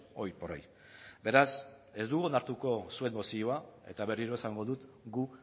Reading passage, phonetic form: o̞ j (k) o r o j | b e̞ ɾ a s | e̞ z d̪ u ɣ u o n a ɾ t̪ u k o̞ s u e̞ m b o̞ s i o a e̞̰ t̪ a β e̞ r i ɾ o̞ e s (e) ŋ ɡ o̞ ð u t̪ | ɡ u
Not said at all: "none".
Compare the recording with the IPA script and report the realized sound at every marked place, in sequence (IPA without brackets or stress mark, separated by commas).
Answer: p, a